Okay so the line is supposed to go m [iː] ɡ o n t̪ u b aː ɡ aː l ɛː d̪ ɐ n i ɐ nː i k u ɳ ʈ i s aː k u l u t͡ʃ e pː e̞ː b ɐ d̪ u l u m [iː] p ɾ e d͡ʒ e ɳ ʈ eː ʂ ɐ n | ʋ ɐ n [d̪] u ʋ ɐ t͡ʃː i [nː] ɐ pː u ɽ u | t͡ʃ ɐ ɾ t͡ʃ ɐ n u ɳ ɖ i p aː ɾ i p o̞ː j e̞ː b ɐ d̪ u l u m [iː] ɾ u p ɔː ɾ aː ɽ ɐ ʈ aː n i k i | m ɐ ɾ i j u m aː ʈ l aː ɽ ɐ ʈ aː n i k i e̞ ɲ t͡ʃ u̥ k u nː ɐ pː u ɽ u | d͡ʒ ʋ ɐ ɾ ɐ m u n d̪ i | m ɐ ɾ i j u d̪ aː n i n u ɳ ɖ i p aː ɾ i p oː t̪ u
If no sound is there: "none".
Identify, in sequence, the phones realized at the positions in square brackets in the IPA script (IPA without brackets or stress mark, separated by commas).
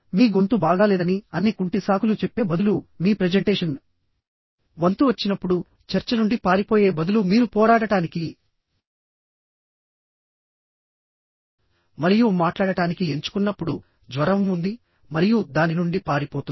iː, iː, t̪, n, iː